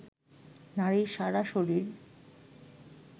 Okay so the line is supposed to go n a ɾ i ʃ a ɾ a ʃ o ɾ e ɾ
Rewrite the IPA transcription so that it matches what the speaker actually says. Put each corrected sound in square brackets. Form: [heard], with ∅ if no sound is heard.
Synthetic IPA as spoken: n a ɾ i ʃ a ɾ a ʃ o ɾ [i] ɾ